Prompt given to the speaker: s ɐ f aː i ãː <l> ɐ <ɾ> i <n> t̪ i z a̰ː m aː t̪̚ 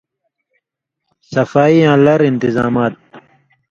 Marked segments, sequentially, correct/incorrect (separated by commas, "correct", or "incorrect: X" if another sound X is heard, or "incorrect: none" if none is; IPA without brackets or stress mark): correct, correct, correct